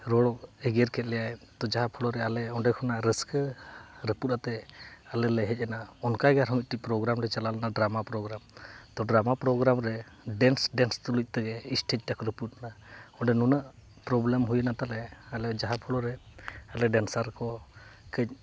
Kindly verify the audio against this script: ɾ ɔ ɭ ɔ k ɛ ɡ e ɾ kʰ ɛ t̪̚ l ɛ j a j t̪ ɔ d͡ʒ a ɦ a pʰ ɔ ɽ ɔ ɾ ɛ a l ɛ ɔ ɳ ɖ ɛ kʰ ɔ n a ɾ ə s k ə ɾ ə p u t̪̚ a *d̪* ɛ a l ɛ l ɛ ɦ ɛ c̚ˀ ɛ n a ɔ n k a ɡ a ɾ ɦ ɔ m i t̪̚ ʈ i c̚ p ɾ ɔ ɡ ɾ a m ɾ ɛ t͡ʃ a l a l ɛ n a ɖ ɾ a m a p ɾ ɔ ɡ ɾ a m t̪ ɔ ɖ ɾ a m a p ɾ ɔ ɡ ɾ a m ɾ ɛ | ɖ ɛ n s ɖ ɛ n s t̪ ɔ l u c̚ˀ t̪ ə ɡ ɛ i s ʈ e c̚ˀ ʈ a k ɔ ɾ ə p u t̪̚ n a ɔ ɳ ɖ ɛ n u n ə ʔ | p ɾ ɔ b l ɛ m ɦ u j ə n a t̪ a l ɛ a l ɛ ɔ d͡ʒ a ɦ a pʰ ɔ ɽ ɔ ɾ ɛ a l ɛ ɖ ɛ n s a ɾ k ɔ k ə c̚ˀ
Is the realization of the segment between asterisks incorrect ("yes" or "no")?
yes